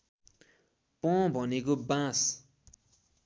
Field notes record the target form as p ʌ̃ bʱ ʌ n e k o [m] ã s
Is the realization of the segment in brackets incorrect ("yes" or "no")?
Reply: yes